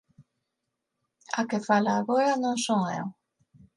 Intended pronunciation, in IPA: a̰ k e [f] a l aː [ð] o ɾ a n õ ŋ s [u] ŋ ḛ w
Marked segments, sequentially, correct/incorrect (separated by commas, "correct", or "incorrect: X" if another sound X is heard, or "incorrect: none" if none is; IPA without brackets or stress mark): correct, incorrect: ɣ, incorrect: o